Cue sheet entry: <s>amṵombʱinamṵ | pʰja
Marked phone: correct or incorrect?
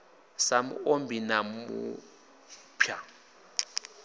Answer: correct